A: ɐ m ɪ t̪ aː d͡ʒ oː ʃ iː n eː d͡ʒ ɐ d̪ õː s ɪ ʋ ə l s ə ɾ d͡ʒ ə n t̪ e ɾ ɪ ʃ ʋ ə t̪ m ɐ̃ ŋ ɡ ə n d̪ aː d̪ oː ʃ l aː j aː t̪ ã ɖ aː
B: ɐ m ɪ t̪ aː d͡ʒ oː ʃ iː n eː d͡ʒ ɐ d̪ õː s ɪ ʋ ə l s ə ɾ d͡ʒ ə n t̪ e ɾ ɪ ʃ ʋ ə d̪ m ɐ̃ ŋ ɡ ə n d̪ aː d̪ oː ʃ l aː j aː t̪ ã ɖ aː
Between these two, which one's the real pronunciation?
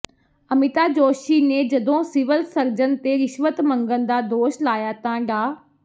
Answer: A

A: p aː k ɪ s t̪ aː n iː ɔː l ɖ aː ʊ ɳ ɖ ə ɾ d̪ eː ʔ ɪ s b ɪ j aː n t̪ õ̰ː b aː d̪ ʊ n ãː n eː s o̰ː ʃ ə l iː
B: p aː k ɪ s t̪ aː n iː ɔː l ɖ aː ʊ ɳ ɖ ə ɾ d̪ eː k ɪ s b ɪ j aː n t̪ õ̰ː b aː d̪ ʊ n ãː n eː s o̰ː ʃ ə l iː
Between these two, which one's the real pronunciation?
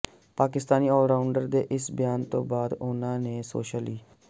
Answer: A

